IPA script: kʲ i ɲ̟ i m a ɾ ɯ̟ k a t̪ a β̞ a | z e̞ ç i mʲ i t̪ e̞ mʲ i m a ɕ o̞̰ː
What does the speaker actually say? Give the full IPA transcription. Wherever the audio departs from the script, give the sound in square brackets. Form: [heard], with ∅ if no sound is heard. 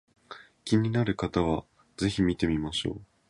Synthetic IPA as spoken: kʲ i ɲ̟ i [n] a ɾ ɯ̟ k a t̪ a β̞ a | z e̞ ç i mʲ i t̪ e̞ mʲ i m a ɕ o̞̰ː